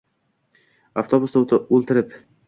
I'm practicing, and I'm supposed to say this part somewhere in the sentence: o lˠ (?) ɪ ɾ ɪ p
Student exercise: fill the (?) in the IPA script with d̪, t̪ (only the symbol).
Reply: t̪